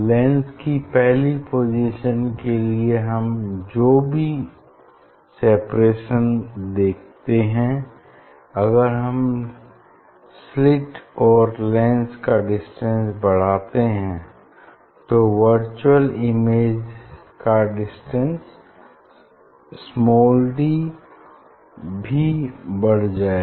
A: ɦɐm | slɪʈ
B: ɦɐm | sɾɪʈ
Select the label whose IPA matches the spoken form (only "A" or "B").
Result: A